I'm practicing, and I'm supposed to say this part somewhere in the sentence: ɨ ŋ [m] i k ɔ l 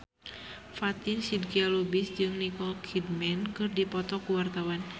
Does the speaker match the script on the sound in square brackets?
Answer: no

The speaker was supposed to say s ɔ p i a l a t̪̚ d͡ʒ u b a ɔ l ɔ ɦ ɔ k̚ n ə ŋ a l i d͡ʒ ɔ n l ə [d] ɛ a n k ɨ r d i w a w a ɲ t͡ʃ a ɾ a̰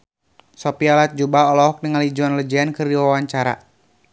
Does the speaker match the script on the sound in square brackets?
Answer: no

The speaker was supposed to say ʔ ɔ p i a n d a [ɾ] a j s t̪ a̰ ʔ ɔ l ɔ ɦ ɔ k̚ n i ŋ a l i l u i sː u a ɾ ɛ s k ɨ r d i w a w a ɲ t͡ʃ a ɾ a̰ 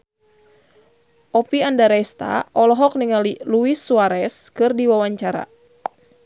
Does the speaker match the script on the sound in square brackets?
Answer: yes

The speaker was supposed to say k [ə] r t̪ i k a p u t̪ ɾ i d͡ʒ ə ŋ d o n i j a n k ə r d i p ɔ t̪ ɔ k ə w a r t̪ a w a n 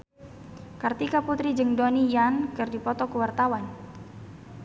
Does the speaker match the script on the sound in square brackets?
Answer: no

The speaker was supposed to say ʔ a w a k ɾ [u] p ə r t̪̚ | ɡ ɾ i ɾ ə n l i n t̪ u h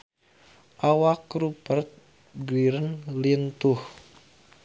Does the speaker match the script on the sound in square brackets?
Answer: yes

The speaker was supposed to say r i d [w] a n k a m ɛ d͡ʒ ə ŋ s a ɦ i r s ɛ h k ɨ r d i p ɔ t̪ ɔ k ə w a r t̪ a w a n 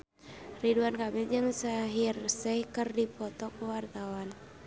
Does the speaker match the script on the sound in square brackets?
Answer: no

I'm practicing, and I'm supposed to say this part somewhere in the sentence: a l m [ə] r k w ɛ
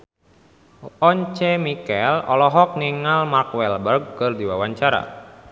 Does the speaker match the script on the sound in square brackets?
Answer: no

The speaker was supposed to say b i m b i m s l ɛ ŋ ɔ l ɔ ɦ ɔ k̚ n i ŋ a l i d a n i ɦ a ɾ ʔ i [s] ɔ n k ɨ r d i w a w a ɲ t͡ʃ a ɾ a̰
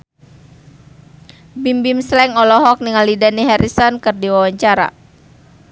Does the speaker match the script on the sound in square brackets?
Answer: yes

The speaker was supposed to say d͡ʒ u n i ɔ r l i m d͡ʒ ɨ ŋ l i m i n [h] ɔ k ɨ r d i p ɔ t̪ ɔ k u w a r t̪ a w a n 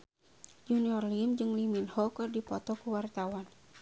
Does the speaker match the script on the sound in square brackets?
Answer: yes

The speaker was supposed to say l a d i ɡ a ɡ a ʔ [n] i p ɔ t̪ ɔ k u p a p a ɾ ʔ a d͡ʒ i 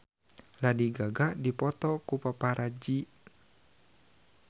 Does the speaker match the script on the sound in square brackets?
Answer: no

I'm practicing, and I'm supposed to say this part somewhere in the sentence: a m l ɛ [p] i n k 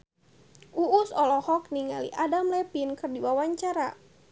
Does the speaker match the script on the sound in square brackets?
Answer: yes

